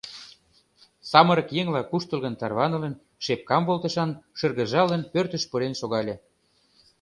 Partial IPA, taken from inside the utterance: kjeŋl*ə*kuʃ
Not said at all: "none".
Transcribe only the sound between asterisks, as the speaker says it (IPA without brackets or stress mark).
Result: ɑ